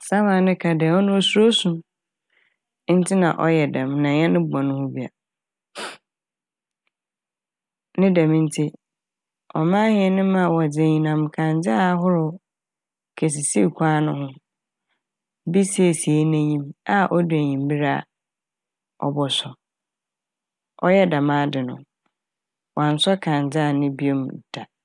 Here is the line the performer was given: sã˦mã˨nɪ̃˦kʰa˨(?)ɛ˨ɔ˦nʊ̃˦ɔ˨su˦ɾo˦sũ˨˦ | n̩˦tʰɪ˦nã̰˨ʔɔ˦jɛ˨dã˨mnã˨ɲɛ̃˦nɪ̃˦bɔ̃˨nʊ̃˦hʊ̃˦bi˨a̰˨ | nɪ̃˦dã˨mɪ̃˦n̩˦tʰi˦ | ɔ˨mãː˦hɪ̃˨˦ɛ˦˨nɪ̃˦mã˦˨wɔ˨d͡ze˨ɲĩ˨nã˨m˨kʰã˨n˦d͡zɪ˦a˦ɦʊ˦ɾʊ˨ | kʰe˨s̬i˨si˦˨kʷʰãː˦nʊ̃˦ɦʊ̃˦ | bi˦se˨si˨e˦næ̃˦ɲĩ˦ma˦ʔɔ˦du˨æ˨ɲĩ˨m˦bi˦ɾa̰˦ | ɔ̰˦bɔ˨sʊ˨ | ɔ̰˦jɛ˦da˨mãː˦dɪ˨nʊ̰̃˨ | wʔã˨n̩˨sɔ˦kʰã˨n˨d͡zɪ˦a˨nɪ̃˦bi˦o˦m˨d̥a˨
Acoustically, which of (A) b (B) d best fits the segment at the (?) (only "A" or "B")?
B